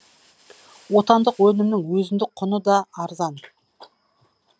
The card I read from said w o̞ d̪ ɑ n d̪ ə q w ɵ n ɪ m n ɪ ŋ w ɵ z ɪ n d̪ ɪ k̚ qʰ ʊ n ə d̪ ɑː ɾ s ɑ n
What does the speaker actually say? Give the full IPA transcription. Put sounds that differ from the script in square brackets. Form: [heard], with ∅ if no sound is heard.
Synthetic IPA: w o̞ [t̪] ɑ n d̪ ə q w ɵ n ɪ m n ɪ ŋ w ɵ z ɪ n d̪ ɪ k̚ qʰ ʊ n ə d̪ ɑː ɾ [z] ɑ n